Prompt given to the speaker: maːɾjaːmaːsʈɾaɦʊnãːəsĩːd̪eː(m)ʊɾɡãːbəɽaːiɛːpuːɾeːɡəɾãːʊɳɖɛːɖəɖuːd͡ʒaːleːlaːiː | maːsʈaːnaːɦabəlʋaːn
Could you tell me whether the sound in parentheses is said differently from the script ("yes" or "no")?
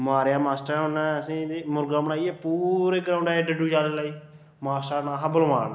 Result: no